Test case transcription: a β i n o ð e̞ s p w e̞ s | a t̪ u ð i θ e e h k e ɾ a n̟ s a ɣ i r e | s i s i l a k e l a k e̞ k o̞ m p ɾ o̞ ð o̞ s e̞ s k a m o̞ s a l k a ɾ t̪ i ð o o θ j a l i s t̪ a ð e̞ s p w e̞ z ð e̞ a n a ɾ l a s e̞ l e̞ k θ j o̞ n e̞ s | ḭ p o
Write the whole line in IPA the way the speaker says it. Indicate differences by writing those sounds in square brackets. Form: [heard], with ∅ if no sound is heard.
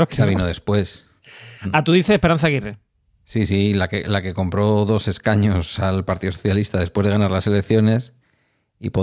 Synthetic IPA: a β i n o ð e̞ s p w e̞ s | a t̪ u ð i θ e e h [p] e ɾ a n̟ [θ] a ɣ i r e | s i s i l a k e l a k e̞ k o̞ m p ɾ o̞ ð o̞ s e̞ s k a [ɲ] o̞ s a l [p] a ɾ t̪ i ð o o θ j a l i s t̪ a ð e̞ s p w e̞ z ð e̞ a n a ɾ l a s e̞ l e̞ k θ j o̞ n e̞ s | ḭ p o